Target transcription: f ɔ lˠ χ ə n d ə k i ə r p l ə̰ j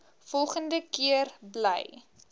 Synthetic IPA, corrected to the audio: f ɔ lˠ χ ə n d ə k i ə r b l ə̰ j